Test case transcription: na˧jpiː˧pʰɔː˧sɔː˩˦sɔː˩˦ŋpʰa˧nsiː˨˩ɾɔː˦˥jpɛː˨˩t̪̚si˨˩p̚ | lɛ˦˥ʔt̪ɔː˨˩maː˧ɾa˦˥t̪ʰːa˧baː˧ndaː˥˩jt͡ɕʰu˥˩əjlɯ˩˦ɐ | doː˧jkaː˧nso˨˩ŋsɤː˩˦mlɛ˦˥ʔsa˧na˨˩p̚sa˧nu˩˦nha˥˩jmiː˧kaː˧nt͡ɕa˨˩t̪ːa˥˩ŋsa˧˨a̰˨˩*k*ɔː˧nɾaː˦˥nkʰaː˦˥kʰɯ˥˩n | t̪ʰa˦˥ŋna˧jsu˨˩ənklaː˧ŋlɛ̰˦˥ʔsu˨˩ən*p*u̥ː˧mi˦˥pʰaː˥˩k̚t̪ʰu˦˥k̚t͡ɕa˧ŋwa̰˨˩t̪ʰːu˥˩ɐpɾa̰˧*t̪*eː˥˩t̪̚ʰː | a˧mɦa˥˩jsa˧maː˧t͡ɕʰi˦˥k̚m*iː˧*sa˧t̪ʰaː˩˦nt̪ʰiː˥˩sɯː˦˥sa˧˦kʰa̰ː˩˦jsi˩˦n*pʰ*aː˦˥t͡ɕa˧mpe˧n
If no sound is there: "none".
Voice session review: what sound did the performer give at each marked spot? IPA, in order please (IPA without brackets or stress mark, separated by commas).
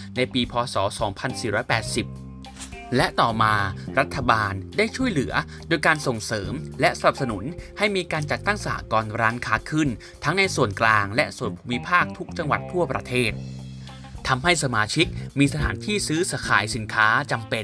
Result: k, pʰ, t̪ʰ, iː˧, kʰ